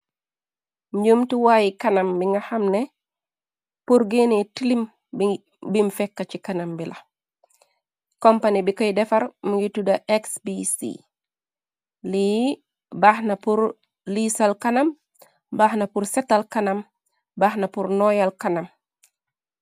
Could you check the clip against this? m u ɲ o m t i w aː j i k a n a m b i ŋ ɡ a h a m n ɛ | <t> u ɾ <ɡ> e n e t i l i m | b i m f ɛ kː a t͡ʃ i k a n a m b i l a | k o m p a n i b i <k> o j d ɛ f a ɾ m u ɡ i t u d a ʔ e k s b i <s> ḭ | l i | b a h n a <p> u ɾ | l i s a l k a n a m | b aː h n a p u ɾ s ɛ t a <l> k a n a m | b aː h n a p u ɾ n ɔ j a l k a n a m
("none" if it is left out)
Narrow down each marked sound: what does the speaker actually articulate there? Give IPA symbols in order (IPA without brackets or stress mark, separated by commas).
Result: p, ɡ, k, s, p, l